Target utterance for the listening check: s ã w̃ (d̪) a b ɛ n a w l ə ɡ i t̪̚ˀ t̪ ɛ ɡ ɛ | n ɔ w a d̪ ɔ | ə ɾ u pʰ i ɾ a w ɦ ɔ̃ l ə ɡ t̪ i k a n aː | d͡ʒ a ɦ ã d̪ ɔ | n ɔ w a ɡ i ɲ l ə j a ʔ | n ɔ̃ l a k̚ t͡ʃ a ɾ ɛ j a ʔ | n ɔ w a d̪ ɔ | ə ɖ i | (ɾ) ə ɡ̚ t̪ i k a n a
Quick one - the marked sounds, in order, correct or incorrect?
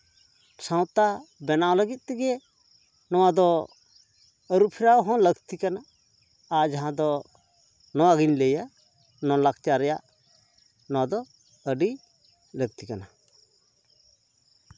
incorrect, incorrect

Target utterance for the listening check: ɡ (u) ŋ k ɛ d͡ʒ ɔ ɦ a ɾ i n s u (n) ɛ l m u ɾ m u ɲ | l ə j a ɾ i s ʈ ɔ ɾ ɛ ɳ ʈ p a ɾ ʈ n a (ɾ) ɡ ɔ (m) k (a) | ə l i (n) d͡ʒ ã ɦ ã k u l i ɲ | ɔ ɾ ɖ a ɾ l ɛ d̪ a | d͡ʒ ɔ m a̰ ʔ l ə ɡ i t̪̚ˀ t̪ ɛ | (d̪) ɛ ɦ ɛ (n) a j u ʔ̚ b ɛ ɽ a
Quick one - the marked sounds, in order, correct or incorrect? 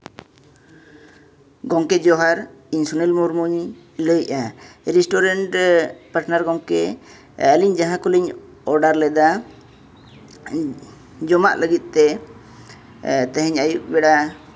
incorrect, correct, correct, incorrect, incorrect, incorrect, incorrect, incorrect

